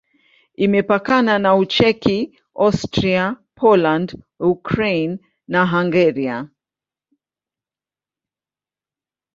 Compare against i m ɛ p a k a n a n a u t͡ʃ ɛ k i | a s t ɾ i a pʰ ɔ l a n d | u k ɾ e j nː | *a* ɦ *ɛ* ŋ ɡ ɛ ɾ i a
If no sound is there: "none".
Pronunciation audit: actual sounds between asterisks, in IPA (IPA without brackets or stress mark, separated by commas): a, a